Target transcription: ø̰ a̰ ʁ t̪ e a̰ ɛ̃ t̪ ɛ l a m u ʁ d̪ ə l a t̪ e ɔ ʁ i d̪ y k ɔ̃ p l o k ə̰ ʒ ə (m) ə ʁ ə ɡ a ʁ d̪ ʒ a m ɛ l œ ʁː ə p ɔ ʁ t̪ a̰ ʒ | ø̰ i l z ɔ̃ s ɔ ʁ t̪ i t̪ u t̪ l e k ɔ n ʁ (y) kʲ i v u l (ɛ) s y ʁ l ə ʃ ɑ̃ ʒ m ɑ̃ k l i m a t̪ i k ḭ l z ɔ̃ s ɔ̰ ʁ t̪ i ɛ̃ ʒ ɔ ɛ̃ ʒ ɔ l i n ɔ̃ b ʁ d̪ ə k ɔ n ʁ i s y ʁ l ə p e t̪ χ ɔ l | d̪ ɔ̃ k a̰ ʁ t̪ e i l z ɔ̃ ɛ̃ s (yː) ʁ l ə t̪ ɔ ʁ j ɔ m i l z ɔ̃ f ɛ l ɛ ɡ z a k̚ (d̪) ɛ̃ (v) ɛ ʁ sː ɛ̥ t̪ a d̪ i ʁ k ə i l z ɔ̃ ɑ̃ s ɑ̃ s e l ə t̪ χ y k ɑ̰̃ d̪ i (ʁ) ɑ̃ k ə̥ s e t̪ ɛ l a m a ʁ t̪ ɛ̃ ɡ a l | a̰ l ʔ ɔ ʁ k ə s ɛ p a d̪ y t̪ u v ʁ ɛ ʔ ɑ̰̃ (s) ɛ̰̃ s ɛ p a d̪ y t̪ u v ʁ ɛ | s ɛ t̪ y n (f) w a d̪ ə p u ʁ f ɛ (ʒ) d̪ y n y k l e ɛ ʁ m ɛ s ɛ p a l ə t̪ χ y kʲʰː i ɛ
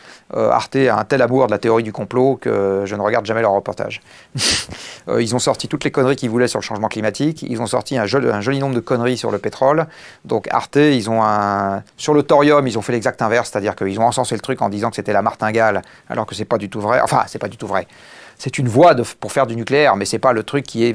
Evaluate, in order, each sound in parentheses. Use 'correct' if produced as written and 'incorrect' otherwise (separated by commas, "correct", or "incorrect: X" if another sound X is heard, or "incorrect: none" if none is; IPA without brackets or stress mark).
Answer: incorrect: n, incorrect: i, correct, incorrect: y, incorrect: t̪, correct, incorrect: z, incorrect: f, incorrect: v, incorrect: ʁ